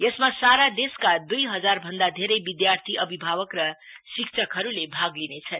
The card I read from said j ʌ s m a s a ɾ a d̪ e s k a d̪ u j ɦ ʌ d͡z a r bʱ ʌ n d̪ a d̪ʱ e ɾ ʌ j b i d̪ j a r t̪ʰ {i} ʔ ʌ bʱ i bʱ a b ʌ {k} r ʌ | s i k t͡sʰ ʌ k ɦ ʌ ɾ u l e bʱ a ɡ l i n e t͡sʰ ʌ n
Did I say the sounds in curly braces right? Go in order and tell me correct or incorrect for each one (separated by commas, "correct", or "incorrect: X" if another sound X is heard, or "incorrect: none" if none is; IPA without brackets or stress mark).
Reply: correct, correct